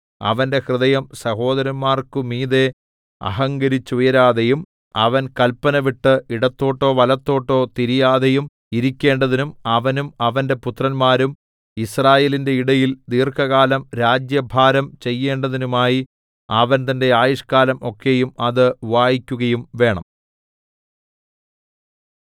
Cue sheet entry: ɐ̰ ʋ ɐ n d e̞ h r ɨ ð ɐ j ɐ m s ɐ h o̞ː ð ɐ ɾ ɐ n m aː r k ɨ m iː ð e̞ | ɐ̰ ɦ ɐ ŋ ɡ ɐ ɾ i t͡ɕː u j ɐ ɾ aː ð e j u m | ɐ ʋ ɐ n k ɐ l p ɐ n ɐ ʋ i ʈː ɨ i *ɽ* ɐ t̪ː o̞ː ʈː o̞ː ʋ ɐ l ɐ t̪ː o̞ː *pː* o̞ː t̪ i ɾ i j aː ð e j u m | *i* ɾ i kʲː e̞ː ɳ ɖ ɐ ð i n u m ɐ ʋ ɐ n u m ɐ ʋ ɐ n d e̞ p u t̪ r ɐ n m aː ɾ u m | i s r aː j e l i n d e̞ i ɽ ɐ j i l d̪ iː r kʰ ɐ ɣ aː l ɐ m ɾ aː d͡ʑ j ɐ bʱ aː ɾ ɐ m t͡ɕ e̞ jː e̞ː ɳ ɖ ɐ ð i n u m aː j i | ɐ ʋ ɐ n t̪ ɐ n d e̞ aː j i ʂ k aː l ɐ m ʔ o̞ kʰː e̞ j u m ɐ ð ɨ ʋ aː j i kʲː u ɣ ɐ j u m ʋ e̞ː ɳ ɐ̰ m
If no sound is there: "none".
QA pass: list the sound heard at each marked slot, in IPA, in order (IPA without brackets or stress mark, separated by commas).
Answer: ɽ, ʈː, i